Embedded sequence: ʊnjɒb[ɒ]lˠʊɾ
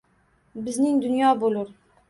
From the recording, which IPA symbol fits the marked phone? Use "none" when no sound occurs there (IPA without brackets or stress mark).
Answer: o